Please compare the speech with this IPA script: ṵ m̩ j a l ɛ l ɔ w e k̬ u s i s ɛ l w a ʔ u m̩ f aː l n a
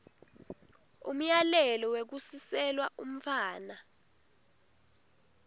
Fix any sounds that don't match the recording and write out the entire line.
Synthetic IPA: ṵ m̩ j a l ɛ l ɔ w e k̬ u s i s ɛ l w a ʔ u m̩ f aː n a